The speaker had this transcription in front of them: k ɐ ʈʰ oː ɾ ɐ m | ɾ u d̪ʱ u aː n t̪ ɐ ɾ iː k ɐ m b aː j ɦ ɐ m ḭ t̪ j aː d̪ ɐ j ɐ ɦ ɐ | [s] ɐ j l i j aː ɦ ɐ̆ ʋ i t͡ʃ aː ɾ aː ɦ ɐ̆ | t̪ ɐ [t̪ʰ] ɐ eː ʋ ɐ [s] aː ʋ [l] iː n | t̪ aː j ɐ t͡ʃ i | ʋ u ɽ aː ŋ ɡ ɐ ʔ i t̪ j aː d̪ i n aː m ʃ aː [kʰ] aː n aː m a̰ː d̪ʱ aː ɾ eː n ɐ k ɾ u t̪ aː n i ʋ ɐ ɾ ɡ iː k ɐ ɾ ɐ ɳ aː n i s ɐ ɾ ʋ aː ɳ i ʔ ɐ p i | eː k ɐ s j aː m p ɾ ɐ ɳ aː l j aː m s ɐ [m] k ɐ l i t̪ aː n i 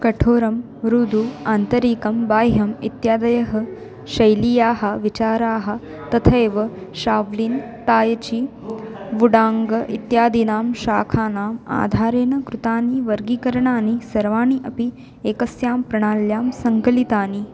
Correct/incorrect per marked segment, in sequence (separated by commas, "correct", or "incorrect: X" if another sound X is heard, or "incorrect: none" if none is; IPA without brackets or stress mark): incorrect: ʃ, correct, incorrect: ʃ, correct, correct, incorrect: ŋ